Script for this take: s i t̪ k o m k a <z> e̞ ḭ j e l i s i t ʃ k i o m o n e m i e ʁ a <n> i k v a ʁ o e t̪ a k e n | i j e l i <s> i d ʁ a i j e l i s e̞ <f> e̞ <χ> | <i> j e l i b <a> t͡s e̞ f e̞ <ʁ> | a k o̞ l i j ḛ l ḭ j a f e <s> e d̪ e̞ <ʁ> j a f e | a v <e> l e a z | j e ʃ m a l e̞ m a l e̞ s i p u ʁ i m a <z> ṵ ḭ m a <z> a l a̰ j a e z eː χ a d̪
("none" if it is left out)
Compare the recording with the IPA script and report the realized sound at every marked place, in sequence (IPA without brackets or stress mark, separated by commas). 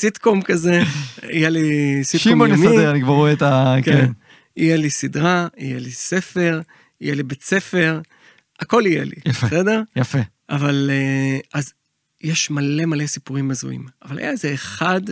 z, n, s, f, ʁ, i, e, ʁ, s, ʁ, a, z, v